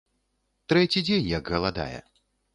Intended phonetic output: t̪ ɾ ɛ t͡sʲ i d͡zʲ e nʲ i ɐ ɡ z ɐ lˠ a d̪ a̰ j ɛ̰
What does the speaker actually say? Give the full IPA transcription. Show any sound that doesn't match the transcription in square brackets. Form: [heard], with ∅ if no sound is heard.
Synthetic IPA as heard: t̪ ɾ ɛ t͡sʲ i d͡zʲ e nʲ [j] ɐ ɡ [ɣ] ɐ lˠ a d̪ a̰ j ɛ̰